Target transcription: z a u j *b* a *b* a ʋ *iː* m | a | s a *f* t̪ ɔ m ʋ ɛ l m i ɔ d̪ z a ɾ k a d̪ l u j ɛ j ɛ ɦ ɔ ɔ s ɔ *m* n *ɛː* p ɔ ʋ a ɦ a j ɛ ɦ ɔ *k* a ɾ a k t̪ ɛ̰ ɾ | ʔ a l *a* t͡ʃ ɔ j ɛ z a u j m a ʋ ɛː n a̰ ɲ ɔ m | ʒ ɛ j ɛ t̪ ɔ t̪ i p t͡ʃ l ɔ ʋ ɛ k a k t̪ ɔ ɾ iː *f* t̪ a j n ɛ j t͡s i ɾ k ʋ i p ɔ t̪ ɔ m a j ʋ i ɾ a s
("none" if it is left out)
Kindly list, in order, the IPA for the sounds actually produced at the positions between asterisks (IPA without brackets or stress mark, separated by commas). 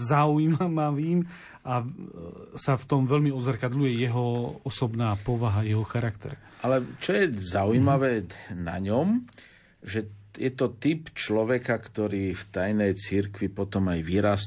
m, m, iː, f, b, aː, x, ɛ, f